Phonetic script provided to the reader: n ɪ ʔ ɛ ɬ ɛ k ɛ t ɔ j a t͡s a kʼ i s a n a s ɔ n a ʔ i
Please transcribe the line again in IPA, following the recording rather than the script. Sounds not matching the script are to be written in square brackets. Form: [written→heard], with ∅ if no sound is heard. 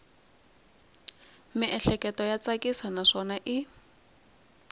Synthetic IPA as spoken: [n→m] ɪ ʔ ɛ ɬ ɛ k ɛ t ɔ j a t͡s a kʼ i s a n a [s→ʂ] ɔ n a ʔ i